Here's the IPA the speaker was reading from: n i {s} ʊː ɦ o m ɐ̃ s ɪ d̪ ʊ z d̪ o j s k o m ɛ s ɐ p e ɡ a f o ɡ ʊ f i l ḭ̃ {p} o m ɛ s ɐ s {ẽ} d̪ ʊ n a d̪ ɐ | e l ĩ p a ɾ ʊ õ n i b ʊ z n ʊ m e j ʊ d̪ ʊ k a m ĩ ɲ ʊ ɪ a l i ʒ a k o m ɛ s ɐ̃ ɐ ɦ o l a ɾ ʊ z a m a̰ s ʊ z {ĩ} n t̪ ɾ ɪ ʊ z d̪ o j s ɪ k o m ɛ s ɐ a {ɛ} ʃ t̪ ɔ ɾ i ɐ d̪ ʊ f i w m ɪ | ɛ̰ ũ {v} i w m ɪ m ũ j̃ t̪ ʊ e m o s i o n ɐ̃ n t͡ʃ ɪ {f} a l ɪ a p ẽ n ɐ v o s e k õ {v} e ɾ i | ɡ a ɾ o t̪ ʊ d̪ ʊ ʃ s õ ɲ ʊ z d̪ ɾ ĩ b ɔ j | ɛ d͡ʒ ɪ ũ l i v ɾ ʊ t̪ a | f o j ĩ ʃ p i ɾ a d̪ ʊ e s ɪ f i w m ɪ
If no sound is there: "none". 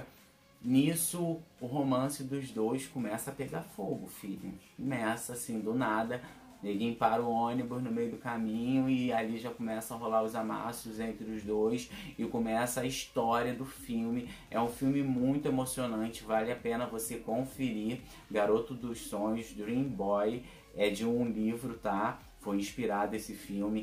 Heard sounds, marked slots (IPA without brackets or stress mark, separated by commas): s, k, ĩ, ẽ, i, f, v, f